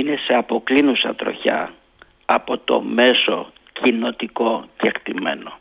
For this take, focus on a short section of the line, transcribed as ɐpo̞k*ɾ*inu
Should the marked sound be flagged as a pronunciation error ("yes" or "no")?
yes